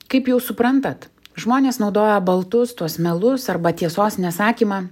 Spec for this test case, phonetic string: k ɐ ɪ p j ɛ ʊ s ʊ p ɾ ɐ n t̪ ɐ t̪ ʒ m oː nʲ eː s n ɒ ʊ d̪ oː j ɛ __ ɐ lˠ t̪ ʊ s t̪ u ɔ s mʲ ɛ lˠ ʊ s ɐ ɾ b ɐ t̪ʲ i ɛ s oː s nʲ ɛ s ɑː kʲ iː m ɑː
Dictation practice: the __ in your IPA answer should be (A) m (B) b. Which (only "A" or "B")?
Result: B